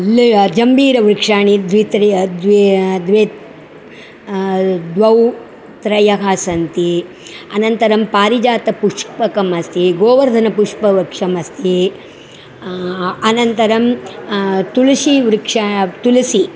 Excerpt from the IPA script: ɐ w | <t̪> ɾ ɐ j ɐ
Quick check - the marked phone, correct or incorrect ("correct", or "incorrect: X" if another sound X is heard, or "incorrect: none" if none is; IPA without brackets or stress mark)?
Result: correct